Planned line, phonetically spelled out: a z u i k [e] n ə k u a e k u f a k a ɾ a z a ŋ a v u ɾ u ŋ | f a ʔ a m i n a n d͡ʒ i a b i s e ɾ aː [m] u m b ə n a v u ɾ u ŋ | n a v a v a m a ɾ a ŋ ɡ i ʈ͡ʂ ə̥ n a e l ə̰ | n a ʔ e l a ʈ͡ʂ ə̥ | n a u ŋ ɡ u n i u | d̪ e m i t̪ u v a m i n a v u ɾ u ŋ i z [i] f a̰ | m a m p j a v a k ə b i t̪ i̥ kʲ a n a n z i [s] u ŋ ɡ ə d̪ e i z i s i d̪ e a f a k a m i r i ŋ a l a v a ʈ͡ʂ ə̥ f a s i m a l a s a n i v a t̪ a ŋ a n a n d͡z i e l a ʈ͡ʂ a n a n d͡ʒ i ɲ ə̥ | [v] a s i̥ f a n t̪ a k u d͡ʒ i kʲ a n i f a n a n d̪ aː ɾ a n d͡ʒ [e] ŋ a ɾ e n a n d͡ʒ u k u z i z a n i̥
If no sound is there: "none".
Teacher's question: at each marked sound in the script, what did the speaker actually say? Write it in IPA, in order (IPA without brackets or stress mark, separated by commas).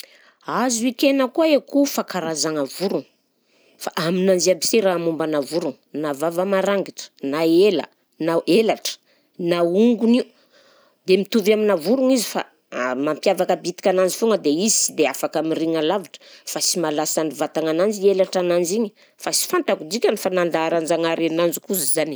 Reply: e, m, i, f, f, a